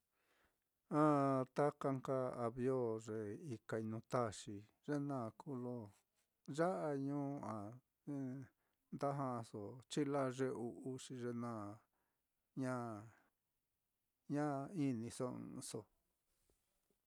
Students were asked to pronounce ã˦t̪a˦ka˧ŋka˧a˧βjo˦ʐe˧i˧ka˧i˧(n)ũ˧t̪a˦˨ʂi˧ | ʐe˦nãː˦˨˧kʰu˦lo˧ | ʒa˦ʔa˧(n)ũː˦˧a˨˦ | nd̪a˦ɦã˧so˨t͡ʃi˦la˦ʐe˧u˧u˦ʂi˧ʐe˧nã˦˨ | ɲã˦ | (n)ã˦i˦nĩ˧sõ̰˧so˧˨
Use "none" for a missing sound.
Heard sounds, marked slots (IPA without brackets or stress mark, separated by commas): n, ɲ, ɲ